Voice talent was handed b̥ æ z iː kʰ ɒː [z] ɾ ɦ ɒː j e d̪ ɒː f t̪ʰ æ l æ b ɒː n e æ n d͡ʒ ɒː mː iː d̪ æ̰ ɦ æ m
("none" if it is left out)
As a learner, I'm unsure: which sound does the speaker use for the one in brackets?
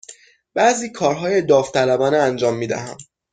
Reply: none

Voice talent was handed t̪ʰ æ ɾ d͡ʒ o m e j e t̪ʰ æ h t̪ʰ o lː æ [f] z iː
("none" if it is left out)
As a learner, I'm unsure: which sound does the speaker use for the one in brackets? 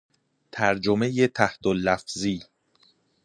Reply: f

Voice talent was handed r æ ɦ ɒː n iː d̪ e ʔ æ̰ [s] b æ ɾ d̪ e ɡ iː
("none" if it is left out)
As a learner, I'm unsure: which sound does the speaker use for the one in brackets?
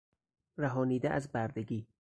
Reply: z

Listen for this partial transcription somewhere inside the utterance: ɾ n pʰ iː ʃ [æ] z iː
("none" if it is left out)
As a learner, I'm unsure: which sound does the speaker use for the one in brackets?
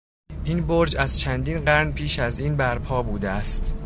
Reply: æ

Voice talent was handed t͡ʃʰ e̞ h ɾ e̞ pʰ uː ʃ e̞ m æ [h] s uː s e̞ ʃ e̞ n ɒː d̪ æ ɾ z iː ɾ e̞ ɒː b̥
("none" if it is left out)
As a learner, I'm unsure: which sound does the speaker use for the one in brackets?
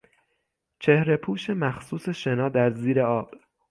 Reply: x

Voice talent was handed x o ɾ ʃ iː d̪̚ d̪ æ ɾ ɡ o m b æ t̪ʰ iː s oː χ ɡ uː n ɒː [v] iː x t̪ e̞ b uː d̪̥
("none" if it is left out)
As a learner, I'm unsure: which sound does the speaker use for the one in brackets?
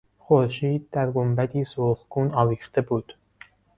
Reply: v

